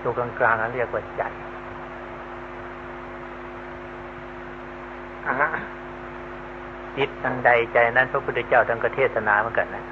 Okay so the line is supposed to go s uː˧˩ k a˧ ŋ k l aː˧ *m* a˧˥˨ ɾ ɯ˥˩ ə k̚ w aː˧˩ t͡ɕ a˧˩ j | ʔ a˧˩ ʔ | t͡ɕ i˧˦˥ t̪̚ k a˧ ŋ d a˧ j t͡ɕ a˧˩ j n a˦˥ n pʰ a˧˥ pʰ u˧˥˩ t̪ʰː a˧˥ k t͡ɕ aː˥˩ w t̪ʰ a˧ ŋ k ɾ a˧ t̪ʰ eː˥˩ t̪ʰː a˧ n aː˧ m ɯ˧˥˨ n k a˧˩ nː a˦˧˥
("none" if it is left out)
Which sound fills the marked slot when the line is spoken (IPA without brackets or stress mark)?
ŋ